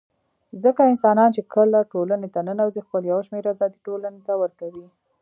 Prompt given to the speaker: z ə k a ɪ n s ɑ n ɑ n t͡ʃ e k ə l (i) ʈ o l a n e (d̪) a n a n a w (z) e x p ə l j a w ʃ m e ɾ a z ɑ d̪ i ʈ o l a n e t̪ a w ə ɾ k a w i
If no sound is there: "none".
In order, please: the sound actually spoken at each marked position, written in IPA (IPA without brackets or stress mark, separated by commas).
a, t̪, z